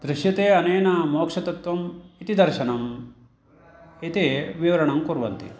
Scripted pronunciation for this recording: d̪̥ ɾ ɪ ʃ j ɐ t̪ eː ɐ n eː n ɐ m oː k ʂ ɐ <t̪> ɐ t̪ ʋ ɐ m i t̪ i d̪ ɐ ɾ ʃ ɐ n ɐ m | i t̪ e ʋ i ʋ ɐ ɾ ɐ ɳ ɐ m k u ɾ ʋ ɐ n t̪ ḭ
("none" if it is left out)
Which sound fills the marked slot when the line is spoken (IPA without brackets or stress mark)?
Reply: t̪